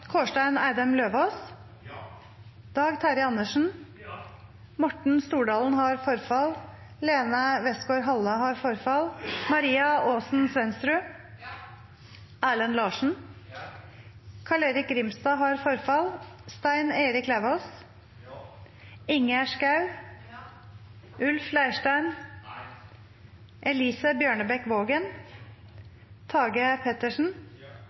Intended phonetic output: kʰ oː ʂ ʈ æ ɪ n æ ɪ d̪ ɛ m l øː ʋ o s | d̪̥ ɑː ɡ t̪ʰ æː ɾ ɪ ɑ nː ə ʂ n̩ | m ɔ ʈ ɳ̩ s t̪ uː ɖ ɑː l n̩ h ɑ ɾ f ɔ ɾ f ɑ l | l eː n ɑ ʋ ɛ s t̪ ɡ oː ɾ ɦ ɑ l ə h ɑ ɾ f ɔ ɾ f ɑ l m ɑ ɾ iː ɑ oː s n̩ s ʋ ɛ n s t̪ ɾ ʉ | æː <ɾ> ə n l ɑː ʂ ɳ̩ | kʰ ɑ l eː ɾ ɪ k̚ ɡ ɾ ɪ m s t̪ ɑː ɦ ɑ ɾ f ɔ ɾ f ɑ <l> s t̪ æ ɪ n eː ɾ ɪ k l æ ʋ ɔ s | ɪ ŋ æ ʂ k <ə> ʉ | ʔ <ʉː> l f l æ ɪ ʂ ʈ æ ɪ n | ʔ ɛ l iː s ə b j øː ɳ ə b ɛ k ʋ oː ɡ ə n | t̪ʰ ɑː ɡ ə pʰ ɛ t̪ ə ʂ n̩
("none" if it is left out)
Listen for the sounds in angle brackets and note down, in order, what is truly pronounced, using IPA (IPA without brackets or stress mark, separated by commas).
l, l, ɑ, ʉ